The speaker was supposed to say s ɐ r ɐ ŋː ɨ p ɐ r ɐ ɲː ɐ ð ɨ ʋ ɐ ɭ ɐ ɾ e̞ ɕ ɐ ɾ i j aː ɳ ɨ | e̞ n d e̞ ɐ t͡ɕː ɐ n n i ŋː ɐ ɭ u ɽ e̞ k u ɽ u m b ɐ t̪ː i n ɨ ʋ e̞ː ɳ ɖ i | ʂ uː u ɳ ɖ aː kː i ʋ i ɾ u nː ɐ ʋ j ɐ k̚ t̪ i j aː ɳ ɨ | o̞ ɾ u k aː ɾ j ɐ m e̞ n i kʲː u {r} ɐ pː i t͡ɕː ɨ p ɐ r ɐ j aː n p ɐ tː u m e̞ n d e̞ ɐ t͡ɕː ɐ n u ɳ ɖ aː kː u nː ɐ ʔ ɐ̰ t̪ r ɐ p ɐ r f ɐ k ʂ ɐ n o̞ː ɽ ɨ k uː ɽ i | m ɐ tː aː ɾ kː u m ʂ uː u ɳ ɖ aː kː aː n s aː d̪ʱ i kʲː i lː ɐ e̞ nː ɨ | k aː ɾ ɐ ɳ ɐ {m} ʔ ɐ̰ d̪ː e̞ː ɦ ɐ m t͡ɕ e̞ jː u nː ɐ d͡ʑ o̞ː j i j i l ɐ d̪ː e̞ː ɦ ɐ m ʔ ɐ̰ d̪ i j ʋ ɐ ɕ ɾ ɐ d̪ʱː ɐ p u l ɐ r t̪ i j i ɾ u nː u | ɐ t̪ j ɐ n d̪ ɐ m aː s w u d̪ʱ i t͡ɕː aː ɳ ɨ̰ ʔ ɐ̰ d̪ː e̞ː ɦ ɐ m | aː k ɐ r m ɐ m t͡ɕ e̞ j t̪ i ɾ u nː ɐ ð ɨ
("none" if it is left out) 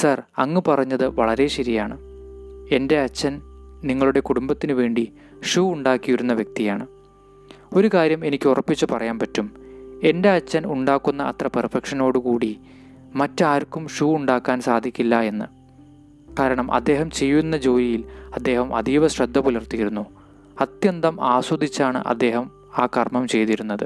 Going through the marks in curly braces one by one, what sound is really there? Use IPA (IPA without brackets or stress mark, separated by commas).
r, m